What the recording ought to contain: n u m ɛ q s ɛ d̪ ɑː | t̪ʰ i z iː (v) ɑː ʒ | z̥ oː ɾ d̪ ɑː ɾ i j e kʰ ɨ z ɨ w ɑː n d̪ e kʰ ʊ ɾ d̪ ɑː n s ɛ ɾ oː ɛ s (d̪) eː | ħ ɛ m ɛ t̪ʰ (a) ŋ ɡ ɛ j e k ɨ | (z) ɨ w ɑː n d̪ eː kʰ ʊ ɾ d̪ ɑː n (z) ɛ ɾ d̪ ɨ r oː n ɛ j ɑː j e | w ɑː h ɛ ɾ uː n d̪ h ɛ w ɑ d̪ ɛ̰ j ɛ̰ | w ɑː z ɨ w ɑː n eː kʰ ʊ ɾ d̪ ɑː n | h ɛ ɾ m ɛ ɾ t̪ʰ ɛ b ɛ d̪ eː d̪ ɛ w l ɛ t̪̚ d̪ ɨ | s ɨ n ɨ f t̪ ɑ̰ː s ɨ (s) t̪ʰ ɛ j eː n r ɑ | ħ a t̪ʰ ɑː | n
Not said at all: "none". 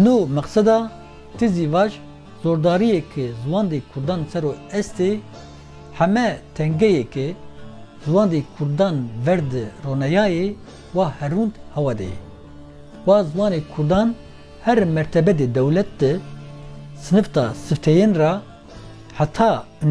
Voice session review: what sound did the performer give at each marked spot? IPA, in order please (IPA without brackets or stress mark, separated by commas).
v, t̪, ɛ, z, v, f